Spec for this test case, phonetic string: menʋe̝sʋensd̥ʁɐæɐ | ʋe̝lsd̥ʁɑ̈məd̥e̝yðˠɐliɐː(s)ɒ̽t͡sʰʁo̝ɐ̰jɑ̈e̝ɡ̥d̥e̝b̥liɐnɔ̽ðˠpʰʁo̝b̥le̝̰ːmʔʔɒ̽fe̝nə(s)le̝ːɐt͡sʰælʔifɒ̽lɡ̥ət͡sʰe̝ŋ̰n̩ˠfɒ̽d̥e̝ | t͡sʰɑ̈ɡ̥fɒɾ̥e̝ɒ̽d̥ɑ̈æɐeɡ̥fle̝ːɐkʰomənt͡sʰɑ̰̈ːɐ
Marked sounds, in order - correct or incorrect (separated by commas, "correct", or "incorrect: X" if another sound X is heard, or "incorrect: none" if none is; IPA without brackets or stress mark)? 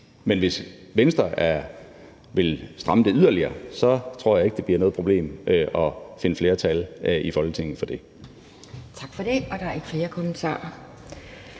correct, incorrect: f